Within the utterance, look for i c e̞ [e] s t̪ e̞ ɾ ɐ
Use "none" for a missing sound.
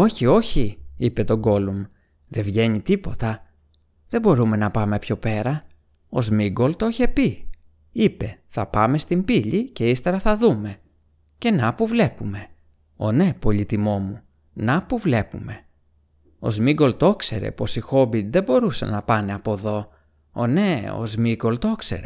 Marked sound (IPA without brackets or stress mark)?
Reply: i